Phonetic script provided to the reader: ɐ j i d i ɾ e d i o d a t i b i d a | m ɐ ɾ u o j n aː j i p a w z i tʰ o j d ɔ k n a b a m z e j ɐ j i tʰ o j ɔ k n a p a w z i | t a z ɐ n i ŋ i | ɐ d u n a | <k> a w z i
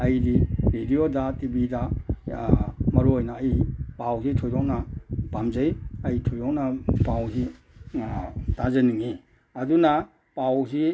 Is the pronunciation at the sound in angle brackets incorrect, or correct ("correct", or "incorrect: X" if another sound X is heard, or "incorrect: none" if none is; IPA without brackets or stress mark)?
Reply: incorrect: p